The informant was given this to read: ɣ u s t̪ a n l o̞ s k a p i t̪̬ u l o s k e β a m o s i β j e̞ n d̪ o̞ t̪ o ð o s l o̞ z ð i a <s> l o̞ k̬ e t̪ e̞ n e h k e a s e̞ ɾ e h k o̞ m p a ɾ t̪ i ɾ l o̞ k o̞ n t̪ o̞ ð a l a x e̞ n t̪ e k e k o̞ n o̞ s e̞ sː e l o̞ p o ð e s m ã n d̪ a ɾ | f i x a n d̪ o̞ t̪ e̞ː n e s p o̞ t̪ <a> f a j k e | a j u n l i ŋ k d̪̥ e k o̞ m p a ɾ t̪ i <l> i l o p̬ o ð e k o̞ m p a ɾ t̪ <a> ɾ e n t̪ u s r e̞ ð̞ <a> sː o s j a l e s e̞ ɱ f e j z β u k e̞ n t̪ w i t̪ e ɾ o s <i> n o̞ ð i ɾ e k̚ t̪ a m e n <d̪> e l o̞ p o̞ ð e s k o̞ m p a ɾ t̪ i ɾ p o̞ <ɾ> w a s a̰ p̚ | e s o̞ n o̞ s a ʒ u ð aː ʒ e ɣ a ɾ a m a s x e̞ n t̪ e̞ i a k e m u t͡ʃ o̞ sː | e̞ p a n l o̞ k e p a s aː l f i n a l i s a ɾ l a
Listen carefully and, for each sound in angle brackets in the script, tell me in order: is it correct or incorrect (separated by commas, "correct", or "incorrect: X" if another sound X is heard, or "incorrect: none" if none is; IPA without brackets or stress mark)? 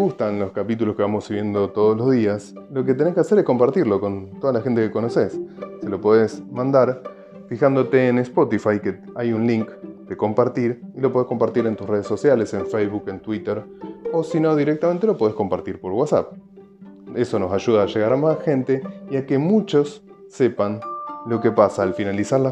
correct, incorrect: i, incorrect: ɾ, incorrect: i, incorrect: e, correct, incorrect: t̪, correct